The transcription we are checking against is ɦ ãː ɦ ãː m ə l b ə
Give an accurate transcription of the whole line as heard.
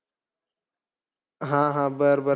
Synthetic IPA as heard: ɦ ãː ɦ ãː b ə ɾ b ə